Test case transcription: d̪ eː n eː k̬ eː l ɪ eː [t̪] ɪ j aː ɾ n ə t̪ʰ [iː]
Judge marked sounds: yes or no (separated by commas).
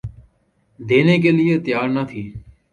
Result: yes, yes